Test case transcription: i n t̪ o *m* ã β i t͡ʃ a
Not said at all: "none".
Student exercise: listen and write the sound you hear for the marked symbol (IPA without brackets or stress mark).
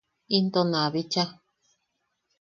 n